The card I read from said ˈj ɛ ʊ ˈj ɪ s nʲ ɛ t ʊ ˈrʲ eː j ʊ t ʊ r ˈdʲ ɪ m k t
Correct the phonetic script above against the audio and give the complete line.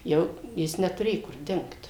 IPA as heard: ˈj ɛ ʊ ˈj ɪ s nʲ ɛ t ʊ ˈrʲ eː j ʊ k ʊ r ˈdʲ ɪ ŋ k t